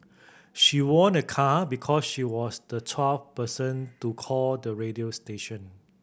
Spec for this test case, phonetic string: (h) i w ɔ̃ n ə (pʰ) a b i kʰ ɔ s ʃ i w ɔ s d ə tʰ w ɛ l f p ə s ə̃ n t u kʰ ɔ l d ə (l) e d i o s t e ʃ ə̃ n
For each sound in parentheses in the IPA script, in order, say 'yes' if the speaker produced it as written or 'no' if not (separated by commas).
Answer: no, no, no